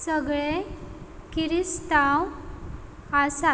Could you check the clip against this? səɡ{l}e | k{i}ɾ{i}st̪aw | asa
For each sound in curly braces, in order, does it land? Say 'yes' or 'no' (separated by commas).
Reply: no, yes, yes